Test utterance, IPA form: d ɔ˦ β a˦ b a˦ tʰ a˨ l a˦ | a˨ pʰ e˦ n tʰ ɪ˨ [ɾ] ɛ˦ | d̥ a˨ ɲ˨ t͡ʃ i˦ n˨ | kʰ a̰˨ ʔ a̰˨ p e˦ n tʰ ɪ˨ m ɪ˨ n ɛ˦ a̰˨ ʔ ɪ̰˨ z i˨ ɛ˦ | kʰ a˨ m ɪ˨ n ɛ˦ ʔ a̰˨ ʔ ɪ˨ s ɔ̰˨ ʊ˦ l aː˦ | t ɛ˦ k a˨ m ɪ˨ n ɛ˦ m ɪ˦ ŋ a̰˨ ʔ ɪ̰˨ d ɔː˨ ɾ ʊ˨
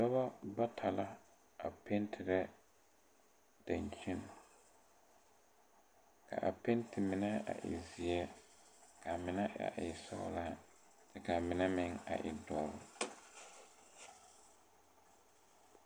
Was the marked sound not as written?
no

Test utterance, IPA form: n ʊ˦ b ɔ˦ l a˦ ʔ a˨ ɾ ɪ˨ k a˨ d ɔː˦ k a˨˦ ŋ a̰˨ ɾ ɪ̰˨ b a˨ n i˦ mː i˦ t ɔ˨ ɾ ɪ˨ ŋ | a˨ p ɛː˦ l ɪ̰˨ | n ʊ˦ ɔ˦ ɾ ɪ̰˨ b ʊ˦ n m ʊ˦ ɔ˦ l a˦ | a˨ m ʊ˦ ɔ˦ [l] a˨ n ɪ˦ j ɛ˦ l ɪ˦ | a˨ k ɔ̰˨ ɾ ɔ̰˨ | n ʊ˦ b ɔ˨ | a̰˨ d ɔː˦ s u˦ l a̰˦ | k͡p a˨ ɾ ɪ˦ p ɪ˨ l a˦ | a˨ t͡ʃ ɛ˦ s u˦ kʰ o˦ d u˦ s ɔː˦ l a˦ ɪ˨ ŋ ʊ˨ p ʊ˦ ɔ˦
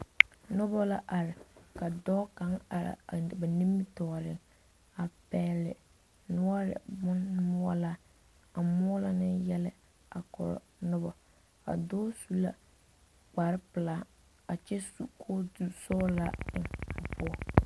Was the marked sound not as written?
no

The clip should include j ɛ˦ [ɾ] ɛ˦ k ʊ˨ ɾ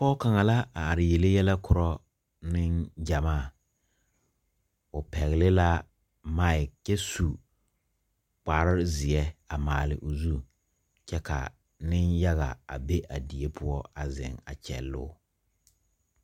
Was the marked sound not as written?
yes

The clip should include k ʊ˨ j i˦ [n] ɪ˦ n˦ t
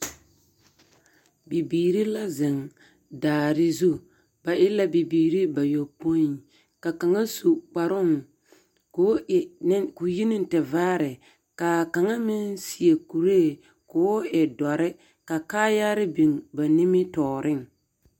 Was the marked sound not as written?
no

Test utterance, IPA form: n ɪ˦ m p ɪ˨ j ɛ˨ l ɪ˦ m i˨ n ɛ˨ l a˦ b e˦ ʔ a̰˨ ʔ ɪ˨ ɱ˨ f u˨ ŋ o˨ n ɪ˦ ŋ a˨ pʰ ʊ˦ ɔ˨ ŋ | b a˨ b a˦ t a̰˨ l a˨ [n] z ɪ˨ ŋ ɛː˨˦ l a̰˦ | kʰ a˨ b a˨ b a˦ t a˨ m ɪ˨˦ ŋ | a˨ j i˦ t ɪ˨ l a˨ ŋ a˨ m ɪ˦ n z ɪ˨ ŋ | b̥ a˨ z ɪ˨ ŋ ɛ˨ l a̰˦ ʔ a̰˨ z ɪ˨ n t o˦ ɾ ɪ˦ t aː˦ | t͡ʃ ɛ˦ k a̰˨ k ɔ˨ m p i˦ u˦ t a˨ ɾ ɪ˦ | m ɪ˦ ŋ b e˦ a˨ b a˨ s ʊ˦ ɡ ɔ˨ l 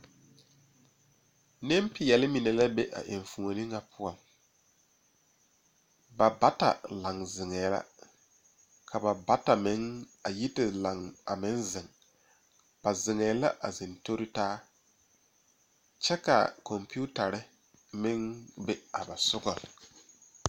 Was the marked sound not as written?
yes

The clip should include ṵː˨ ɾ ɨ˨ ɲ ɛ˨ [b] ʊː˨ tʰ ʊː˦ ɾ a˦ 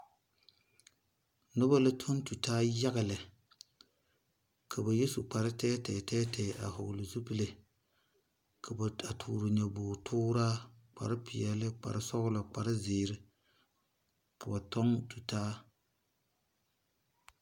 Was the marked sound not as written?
no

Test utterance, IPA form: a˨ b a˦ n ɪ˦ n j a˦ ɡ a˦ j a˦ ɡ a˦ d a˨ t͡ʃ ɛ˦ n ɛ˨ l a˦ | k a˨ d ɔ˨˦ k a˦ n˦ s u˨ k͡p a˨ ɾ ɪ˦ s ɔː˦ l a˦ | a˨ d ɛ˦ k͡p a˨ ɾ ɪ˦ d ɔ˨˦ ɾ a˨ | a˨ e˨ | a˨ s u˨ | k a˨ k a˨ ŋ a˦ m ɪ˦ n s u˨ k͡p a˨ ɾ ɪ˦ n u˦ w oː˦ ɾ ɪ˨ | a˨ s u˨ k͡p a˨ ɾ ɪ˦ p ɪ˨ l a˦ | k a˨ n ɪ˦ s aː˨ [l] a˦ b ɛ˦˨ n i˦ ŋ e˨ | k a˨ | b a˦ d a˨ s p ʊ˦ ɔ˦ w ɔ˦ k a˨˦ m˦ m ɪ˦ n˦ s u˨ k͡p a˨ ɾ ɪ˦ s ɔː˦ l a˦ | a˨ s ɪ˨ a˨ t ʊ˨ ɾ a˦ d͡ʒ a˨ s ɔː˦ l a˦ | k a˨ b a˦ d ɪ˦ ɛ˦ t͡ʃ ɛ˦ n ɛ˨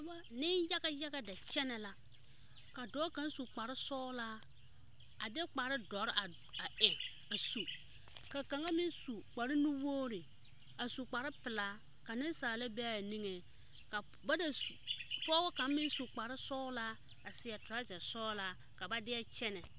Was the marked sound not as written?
no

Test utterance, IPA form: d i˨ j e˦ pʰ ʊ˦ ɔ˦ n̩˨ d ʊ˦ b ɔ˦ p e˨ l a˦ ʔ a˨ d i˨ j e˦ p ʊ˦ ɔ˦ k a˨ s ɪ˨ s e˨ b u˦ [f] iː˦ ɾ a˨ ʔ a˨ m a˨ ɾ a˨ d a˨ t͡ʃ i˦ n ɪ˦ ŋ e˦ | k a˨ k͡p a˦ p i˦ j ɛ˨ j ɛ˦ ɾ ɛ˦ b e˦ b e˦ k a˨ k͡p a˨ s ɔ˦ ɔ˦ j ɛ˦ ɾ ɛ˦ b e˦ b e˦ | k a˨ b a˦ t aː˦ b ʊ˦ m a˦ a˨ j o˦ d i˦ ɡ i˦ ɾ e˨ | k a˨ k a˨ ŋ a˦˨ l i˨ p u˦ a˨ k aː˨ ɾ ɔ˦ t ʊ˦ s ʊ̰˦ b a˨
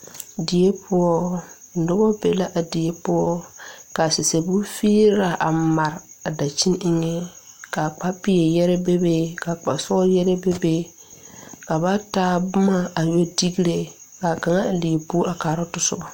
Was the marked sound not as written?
no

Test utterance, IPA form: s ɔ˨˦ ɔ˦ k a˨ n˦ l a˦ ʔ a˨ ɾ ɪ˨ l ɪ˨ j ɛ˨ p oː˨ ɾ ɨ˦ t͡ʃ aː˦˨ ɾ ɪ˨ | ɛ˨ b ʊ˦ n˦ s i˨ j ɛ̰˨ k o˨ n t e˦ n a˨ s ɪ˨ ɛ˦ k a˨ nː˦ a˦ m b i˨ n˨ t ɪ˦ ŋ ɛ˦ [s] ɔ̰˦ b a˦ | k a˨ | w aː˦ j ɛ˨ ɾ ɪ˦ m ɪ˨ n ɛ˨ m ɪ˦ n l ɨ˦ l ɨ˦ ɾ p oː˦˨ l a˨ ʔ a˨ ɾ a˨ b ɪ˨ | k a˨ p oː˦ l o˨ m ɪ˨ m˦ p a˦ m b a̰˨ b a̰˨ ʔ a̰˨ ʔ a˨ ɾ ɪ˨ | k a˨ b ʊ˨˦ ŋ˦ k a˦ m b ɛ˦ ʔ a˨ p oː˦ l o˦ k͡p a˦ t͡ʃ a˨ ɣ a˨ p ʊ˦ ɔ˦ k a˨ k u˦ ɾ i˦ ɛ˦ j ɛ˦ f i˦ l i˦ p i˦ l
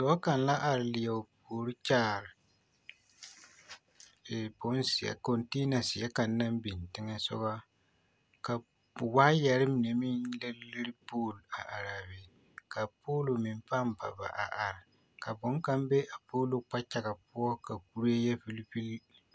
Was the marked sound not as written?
no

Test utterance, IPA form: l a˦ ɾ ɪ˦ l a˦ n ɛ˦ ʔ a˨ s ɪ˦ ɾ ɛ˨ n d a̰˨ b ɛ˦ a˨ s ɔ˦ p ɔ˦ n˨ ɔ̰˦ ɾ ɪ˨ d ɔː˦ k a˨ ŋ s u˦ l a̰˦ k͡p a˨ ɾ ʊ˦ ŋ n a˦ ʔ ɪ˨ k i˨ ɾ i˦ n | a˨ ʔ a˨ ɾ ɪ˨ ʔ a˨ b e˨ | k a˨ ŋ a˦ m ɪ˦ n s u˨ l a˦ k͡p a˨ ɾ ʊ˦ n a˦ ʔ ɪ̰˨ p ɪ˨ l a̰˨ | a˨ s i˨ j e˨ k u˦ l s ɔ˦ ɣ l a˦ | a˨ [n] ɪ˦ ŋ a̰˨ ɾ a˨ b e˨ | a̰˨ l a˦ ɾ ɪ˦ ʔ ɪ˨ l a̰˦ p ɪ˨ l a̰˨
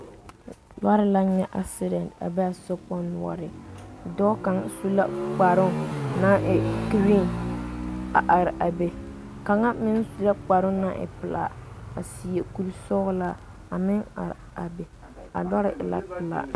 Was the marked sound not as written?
yes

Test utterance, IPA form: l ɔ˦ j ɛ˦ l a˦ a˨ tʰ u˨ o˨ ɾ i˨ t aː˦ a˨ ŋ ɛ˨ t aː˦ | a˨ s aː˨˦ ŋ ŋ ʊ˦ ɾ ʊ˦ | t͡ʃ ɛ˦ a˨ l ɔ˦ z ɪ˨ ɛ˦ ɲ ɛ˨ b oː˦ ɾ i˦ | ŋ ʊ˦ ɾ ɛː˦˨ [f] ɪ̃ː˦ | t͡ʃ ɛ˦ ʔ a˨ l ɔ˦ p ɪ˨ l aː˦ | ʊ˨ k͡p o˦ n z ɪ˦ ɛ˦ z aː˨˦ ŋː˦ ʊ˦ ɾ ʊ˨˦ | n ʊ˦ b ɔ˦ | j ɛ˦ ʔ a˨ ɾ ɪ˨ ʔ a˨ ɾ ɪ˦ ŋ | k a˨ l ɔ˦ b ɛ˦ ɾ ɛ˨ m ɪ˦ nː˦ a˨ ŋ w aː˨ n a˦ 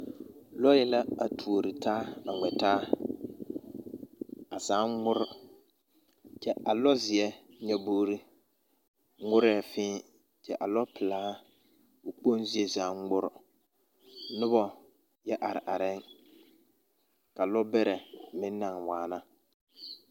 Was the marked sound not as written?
no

